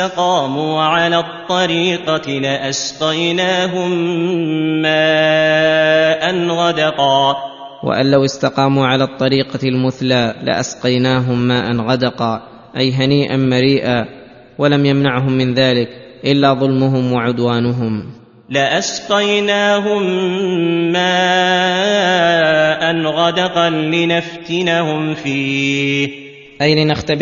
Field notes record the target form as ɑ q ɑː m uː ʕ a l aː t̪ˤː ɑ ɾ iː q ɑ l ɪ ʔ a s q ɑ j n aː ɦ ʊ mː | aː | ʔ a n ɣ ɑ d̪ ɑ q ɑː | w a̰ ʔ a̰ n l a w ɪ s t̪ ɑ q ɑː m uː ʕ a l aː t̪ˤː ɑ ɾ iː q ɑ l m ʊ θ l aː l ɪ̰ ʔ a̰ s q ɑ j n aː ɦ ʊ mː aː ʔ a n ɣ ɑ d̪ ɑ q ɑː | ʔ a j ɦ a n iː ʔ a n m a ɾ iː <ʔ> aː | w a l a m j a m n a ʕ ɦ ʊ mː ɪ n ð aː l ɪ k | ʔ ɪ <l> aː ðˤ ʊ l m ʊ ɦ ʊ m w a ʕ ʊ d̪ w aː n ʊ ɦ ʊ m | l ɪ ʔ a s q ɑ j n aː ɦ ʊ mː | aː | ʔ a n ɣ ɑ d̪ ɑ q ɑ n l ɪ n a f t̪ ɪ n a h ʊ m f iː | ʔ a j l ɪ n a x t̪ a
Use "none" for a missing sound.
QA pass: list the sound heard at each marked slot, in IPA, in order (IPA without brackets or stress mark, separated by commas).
ʔ, lː